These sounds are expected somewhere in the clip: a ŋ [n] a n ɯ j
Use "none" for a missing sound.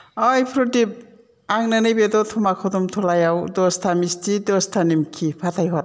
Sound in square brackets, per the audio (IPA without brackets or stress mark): n